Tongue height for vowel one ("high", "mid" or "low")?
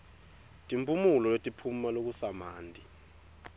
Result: high